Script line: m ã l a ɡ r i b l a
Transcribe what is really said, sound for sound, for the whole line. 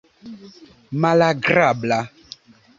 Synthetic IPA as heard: m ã l a ɡ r a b l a